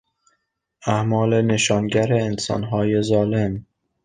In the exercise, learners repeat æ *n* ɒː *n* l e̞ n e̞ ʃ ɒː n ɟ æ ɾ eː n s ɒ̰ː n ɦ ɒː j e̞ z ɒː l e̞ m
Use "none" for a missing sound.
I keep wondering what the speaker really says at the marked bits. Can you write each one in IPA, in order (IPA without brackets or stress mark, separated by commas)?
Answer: m, none